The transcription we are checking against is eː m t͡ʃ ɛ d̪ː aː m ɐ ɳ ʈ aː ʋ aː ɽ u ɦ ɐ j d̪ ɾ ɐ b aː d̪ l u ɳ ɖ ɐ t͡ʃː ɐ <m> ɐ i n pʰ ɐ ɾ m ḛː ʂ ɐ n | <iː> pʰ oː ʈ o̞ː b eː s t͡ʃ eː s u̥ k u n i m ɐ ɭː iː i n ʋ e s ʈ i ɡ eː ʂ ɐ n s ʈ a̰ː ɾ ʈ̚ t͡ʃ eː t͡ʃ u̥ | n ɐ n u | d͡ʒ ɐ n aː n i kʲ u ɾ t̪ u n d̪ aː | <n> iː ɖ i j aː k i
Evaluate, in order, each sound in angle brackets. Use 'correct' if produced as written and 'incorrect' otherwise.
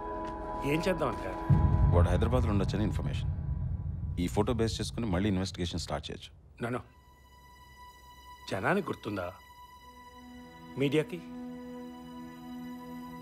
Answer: incorrect: n, correct, incorrect: m

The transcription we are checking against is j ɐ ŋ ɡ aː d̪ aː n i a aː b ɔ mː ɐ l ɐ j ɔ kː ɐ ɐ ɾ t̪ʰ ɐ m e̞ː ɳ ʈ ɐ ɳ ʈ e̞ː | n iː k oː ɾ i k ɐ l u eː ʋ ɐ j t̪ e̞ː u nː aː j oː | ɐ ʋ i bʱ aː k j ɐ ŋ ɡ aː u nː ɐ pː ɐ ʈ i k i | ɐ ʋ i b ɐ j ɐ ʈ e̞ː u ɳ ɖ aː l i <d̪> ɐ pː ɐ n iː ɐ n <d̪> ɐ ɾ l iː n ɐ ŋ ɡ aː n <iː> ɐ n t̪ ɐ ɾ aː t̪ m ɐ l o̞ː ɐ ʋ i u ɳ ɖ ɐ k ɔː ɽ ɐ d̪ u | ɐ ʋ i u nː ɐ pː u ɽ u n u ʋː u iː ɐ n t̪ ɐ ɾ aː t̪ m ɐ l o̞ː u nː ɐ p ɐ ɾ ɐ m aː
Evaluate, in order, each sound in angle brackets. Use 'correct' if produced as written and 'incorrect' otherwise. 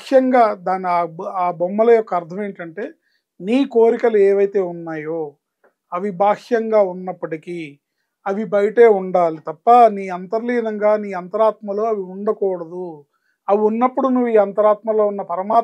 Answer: incorrect: t̪, incorrect: t̪, correct

